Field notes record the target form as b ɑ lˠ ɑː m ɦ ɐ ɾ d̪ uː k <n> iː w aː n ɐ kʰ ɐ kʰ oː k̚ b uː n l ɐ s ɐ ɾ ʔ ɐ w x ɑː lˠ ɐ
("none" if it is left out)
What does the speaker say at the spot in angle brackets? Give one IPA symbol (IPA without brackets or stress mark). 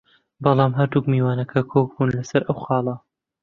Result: m